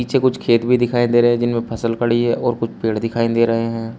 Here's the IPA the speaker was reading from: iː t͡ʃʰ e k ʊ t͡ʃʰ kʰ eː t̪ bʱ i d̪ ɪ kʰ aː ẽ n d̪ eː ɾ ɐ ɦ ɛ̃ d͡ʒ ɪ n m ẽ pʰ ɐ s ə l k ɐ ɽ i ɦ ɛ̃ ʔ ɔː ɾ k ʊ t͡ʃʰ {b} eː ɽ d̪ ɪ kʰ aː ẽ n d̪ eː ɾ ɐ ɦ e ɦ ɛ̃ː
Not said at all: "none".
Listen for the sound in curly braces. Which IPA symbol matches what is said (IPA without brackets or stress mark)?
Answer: p